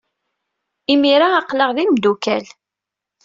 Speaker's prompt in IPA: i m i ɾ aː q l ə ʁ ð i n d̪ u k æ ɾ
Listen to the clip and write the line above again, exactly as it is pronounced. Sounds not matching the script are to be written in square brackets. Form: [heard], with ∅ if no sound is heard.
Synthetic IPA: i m i ɾ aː q l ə ʁ ð i [m] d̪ u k æ [l]